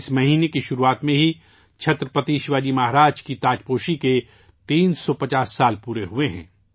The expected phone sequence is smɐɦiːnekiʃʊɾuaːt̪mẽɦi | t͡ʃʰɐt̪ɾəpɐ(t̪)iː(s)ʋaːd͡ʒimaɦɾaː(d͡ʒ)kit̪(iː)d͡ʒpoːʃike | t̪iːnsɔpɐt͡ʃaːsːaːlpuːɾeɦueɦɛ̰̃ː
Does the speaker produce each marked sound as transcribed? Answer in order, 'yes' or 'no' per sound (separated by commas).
yes, no, yes, no